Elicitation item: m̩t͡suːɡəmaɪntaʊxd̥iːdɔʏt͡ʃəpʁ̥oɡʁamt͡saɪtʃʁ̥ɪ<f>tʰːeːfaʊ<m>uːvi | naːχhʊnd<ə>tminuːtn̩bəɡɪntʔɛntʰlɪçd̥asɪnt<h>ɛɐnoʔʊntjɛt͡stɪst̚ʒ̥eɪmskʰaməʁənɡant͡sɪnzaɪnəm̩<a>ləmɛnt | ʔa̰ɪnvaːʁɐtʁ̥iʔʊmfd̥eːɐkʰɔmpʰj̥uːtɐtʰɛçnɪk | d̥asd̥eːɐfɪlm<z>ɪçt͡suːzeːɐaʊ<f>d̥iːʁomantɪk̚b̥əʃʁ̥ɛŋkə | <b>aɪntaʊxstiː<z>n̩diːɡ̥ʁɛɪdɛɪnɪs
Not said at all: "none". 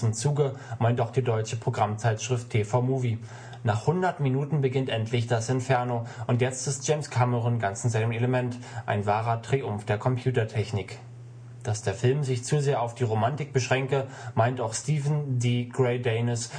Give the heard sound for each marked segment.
f, m, ɐ, f, e, z, f, m, v

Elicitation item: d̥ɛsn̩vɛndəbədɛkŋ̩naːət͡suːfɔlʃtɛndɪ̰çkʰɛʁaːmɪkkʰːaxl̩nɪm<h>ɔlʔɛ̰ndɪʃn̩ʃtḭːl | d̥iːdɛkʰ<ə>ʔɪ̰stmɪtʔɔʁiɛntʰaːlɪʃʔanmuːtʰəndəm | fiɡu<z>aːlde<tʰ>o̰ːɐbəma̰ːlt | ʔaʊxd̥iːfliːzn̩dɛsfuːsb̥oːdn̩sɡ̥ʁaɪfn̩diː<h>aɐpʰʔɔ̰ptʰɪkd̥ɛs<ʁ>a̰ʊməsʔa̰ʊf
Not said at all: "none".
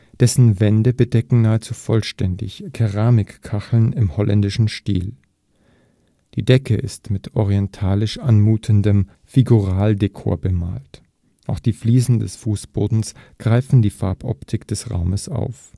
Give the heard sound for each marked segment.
h, ə, ʁ, kʰ, f, ʁ

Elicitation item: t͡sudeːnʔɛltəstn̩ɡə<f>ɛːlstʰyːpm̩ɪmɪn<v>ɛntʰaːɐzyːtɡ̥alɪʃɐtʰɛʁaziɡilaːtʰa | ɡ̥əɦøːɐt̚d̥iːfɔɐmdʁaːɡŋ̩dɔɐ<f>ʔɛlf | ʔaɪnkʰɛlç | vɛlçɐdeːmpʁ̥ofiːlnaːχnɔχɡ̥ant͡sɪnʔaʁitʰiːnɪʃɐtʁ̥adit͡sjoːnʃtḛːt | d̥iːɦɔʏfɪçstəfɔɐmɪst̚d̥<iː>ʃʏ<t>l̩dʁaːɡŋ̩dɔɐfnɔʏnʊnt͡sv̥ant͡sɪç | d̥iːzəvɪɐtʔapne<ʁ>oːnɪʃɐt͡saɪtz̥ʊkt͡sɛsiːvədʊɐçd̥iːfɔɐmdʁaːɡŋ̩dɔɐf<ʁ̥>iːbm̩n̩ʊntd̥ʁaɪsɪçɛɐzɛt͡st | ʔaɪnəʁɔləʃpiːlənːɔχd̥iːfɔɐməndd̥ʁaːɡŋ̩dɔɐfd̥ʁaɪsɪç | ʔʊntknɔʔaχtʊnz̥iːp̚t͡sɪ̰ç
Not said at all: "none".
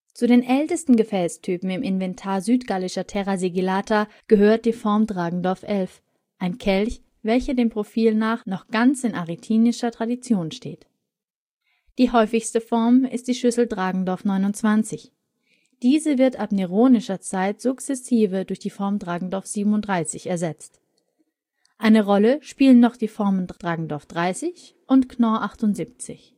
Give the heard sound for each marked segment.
f, v, f, iː, s, ʁ, z̥

